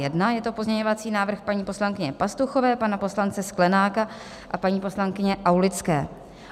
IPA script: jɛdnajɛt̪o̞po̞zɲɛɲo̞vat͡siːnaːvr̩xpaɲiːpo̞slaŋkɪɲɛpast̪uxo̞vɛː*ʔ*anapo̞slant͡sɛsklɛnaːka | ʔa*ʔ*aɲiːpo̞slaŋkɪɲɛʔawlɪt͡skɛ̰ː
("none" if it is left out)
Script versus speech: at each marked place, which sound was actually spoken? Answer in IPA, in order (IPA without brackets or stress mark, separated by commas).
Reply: p, p